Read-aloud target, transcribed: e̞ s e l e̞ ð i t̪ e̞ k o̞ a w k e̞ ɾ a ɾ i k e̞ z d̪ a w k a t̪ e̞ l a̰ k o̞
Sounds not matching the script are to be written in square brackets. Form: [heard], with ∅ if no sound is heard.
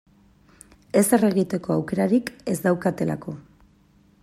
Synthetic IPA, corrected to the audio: e̞ s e [r] e̞ [ɣ] i t̪ e̞ k o̞ a w k e̞ ɾ a ɾ i k e̞ z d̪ a w k a t̪ e̞ l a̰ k o̞

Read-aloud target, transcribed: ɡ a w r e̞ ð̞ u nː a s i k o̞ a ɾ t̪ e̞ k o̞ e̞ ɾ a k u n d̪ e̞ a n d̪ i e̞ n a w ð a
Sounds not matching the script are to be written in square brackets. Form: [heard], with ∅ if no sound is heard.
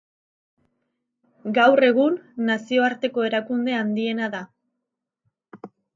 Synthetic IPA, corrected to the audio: ɡ a w r e̞ [ɣ̞] u nː a s i [∅] o̞ a ɾ t̪ e̞ k o̞ e̞ ɾ a k u n d̪ e̞ a n d̪ i e̞ n a [∅] ð a

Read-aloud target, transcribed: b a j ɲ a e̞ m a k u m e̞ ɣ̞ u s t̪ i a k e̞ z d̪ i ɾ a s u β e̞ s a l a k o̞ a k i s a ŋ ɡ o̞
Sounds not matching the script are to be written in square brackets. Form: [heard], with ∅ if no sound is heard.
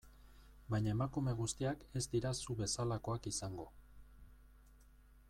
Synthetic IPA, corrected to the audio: b a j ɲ a e̞ m a k u m e̞ ɣ̞ u s t̪ i a k e̞ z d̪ i ɾ a s u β e̞ s a l a k o̞ a k i s a ŋ ɡ o̞

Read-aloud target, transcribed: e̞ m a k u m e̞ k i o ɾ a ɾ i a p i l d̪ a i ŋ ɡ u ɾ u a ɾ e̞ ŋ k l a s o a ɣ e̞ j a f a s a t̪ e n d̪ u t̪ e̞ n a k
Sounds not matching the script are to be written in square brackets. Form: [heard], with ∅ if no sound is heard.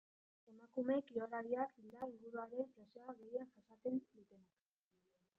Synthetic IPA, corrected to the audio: e̞ m a k u m e̞ k i o ɾ a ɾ i a [k] i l d̪ a i ŋ ɡ u ɾ u a ɾ e̞ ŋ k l a s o a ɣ e̞ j a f a s a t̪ e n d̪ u t̪ e̞ n a k

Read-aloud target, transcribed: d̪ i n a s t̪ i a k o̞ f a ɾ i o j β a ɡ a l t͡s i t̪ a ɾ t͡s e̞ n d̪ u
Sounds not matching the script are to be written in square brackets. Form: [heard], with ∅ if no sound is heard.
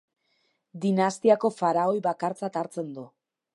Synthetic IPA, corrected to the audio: d̪ i n a s t̪ i a k o̞ f a ɾ [a] o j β a [k] a [ɾ] t͡s [a] t̪ a ɾ t͡s e̞ n d̪ u

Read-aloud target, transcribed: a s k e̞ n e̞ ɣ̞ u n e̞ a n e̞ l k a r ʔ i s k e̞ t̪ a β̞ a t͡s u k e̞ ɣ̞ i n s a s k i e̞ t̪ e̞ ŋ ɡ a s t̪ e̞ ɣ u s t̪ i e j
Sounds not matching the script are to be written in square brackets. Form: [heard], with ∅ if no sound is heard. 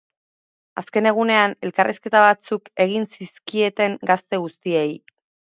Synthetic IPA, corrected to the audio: a s k e̞ n e̞ ɣ̞ u n e̞ a n e̞ l k a r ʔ i s k e̞ t̪ a β̞ a t͡s u k e̞ ɣ̞ i n s [i] s k i e̞ t̪ e̞ ŋ ɡ a s t̪ e̞ ɣ u s t̪ i e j

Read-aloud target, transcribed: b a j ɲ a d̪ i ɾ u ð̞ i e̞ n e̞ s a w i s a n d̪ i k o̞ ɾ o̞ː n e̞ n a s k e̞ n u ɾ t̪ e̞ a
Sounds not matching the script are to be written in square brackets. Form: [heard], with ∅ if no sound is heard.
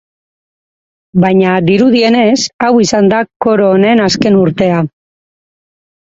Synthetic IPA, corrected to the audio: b a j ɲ a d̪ i ɾ u ð̞ i e̞ n e̞ s a w i s a n d̪ [a] k o̞ ɾ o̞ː n e̞ n a s k e̞ n u ɾ t̪ e̞ a

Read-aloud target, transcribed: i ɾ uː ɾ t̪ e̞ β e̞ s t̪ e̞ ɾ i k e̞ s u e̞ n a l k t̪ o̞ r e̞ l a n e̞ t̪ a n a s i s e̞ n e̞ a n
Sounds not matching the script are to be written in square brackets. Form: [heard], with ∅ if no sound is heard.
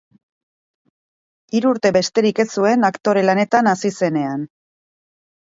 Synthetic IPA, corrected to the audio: i ɾ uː ɾ t̪ e̞ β e̞ s t̪ e̞ ɾ i k e̞ s u e̞ n a [∅] k t̪ o̞ [ɾ] e̞ l a n e̞ t̪ a n a s i s e̞ n e̞ a n

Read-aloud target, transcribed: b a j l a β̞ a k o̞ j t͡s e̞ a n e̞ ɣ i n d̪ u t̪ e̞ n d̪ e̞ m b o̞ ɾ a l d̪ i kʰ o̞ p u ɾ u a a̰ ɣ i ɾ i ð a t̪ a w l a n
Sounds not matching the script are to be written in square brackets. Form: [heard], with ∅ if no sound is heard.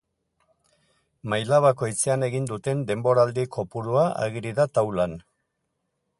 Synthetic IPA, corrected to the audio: [m] a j l a β̞ a k o̞ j t͡s e̞ a n e̞ ɣ i n d̪ u t̪ e̞ n d̪ e̞ m b o̞ ɾ a l d̪ i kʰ o̞ p u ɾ u a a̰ ɣ i ɾ i ð a t̪ a w l a n

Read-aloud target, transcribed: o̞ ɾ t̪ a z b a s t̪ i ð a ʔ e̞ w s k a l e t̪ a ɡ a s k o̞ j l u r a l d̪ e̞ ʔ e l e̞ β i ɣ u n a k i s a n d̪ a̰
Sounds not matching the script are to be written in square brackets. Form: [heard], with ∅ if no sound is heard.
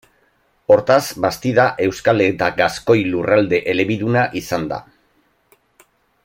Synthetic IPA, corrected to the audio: o̞ ɾ t̪ a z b a s t̪ i ð a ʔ e̞ w s k a l e t̪ a ɡ a s k o̞ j l u r a l d̪ e̞ ʔ e l e̞ β i [ð] u n a [ʔ] i s a n d̪ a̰

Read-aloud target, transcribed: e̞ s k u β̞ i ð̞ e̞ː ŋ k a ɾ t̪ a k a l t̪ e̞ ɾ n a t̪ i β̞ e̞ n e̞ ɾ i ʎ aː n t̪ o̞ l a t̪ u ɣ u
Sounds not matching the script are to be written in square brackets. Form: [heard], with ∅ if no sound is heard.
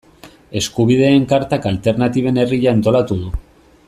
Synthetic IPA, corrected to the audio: e̞ s k u β̞ i ð̞ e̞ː ŋ k a ɾ t̪ a k a l t̪ e̞ ɾ n a t̪ i β̞ e̞ n e̞ [r] i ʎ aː n t̪ o̞ l a t̪ u [ð] u

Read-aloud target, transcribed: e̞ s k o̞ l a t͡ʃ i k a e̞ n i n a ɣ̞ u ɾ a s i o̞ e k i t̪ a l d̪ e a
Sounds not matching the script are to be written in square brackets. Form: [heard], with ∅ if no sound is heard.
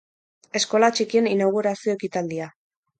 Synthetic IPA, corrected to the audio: e̞ s k o̞ l a t͡ʃ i k [i] e̞ n i n a ɣ̞ u ɾ a s i o̞ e k i t̪ a l d̪ [i] a

